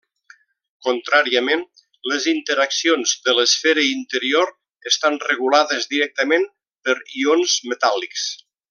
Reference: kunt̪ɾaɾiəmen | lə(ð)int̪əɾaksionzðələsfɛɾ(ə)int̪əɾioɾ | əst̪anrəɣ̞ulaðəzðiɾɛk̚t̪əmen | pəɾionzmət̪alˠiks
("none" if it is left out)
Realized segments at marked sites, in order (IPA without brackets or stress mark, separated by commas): z, ə